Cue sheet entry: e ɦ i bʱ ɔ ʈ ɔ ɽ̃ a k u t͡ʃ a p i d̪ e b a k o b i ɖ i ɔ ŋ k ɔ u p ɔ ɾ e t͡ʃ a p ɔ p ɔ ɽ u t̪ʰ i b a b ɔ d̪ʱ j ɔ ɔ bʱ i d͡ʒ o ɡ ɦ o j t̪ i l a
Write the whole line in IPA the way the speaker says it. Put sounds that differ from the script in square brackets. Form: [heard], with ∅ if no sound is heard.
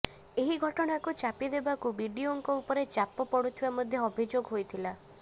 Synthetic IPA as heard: e ɦ i [ɡʱ] ɔ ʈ ɔ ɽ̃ a k u t͡ʃ a p i d̪ e b a k [u] b i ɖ i [o] ŋ k ɔ u p ɔ ɾ e t͡ʃ a p ɔ p ɔ ɽ u t̪ʰ i b a [m] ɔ d̪ʱ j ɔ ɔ bʱ i d͡ʒ o ɡ ɦ o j [t̪ʰ] i l a